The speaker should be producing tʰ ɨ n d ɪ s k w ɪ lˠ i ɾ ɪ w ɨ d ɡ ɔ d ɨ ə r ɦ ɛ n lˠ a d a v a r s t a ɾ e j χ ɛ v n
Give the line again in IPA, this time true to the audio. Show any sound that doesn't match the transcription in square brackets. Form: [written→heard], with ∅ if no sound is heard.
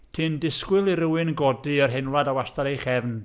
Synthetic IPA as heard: tʰ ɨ n d ɪ s k w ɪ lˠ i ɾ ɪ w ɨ [d→n] ɡ ɔ d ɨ ə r ɦ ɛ n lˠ a d a [v→w] a [r→∅] s t a ɾ e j χ ɛ v n

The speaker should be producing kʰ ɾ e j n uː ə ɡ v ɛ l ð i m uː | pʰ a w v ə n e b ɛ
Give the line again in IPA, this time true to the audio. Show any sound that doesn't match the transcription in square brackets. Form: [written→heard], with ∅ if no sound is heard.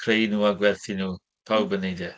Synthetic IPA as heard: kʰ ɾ e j n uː [ə→a] ɡ [v→w] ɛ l [ð→θ] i [m→n] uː | pʰ a w [v→b] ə n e [b→d] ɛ

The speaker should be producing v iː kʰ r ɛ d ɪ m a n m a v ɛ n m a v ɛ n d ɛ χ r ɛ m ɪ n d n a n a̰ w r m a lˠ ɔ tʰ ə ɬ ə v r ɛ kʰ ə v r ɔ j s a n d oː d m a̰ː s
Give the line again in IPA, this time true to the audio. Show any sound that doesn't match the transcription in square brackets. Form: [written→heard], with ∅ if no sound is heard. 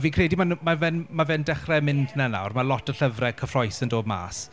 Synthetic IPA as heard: v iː kʰ r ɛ d [ɪ→i] m a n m a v ɛ n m a v ɛ n d ɛ χ r ɛ m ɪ n d n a n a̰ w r m a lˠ ɔ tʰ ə ɬ ə v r ɛ kʰ ə [v→f] r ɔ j s [a→ə] n d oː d m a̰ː s

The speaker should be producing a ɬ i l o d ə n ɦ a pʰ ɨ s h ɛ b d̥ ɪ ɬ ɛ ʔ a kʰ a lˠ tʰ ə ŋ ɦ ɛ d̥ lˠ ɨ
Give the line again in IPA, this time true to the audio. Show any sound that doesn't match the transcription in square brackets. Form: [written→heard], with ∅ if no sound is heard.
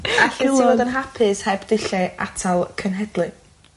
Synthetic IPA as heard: a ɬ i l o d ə n ɦ a pʰ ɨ s h ɛ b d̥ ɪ ɬ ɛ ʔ a [kʰ→tʰ] a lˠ [tʰ→kʰ] ə [ŋ→n] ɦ ɛ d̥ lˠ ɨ

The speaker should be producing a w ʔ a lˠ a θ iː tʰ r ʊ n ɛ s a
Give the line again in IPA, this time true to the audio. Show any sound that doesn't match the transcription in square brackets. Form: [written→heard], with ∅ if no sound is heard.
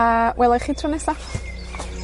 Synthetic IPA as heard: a w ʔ [a→ɛ] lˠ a [θ→χ] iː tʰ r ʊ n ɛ s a

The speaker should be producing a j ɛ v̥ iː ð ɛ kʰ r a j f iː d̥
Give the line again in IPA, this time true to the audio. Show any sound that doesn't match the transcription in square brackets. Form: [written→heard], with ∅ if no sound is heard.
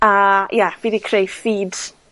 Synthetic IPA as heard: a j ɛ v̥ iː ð [ɛ→i] kʰ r [a→e] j f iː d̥

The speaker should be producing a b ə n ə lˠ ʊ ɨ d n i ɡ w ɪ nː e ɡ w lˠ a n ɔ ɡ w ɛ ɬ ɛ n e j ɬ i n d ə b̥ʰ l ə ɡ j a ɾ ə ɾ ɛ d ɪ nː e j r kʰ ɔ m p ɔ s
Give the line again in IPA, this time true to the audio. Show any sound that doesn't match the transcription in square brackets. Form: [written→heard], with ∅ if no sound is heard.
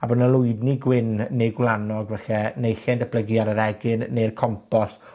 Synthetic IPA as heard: a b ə n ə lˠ ʊ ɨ d n i ɡ w ɪ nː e ɡ w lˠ a n ɔ ɡ [w→v] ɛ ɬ ɛ n e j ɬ [i→ɛ] n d ə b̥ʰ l ə ɡ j a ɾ ə ɾ ɛ [d→ɡ] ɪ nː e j r kʰ ɔ m p ɔ s

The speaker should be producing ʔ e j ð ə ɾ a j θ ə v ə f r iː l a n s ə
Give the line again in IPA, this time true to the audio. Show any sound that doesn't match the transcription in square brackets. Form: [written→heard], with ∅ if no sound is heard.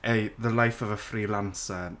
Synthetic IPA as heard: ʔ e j ð ə [ɾ→l] a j [θ→f] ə v ə f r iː l a n s ə

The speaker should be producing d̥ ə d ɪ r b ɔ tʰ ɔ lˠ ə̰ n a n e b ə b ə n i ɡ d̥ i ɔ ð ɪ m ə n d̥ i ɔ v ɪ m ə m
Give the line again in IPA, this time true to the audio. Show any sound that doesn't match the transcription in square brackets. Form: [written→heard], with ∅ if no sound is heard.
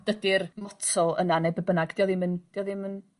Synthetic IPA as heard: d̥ ə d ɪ r [b→m] ɔ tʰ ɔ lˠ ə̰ n a n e b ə b ə n [i→a] ɡ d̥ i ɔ ð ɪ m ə n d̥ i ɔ [v→ð] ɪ m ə [m→n]

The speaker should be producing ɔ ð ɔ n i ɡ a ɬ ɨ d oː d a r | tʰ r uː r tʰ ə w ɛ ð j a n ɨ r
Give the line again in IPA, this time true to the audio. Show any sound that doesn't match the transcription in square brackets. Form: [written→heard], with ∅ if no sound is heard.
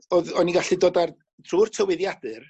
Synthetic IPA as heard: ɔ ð ɔ n i ɡ a ɬ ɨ d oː d a r | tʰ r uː r tʰ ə w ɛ ð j a [n→d] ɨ r

